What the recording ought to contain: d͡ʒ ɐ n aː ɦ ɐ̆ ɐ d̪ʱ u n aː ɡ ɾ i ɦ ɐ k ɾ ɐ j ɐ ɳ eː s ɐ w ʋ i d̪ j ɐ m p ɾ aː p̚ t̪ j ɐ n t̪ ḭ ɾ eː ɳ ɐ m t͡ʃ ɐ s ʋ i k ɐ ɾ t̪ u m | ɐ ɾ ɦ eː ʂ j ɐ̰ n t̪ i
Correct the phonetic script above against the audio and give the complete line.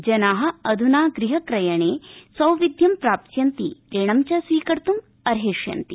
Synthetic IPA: d͡ʒ ɐ n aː ɦ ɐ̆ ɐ d̪ʱ u n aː ɡ ɾ i ɦ ɐ k ɾ ɐ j ɐ ɳ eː s ɐ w ʋ i d̪ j ɐ m p ɾ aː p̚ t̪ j ɐ n t̪ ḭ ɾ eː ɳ ɐ m t͡ʃ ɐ s ʋ iː k ɐ ɾ t̪ u m | ɐ ɾ ɦ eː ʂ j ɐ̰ n t̪ i